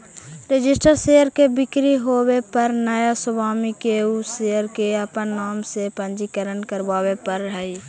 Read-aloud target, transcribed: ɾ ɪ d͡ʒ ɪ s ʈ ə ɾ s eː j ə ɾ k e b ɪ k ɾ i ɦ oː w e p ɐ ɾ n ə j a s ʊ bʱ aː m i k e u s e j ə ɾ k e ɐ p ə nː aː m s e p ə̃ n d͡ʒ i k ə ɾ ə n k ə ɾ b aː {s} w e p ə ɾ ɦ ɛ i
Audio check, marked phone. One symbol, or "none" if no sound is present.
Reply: none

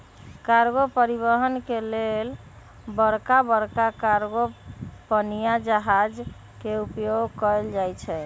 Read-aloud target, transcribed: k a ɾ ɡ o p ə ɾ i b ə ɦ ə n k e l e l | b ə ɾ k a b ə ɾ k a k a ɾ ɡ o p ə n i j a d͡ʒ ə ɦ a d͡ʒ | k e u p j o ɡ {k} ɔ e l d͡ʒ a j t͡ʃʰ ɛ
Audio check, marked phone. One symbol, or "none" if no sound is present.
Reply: k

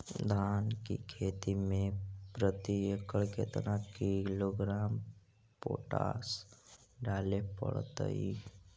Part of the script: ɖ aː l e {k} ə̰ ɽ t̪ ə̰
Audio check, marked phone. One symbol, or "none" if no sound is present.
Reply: p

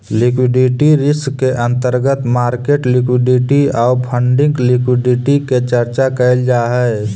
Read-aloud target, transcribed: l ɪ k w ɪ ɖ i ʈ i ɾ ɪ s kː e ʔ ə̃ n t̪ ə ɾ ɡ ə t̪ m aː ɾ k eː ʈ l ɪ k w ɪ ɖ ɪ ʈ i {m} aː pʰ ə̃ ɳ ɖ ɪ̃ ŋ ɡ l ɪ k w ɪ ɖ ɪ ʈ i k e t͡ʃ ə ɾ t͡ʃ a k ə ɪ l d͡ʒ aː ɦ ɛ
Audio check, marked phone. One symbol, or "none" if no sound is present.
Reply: none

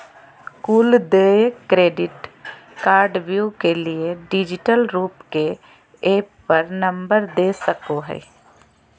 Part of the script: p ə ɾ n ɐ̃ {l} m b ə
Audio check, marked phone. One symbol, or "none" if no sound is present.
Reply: none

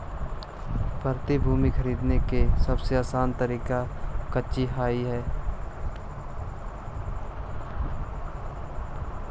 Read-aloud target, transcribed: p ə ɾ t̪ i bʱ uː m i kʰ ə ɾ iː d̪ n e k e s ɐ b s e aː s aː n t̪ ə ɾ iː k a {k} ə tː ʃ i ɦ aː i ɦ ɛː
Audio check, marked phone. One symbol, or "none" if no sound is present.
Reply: k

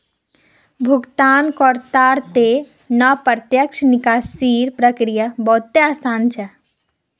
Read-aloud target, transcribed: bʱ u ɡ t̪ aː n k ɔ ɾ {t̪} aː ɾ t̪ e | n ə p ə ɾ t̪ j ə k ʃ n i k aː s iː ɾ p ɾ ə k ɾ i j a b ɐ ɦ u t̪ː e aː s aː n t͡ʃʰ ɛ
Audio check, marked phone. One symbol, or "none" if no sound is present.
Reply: t̪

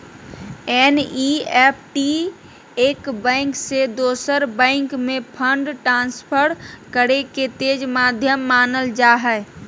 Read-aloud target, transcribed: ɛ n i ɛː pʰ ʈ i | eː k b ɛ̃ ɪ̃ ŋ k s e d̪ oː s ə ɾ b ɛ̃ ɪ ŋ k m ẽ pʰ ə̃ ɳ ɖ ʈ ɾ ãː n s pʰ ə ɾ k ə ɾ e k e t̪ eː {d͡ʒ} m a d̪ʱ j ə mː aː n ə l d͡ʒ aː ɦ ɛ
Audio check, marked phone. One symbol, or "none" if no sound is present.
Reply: d͡ʒ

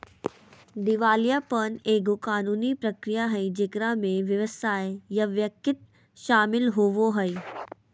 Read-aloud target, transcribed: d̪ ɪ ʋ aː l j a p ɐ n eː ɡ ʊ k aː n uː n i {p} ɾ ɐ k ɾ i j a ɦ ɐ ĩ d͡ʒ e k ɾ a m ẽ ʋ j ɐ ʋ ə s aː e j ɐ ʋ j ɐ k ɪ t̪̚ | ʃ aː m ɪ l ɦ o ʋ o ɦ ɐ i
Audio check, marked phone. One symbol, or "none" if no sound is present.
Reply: p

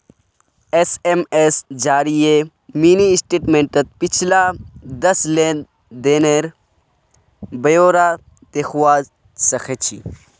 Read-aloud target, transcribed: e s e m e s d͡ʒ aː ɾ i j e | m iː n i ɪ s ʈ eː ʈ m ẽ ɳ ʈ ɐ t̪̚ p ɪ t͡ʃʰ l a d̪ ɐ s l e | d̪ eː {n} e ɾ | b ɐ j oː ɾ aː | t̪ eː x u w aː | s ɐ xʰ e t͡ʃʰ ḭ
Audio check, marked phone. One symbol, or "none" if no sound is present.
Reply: n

